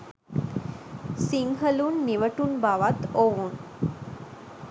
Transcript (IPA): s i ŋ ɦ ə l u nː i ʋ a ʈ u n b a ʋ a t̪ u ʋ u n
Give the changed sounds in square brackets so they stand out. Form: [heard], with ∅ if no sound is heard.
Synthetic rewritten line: s i ŋ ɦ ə l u nː i ʋ [ə] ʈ u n b a ʋ a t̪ [o] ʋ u n

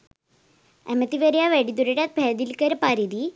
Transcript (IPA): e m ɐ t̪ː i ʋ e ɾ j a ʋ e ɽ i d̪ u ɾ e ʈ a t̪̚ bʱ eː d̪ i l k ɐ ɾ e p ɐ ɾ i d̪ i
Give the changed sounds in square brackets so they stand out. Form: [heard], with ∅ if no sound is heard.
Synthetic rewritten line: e m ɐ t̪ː i ʋ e ɾ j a ʋ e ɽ i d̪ u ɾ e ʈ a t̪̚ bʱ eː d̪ i l k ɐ ɾ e p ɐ ɾ i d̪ i

